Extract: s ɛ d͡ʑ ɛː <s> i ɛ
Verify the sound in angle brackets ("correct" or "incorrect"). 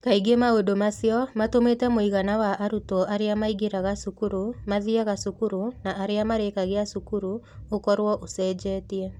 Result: incorrect